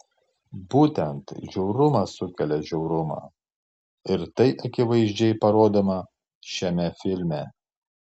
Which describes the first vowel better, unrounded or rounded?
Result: rounded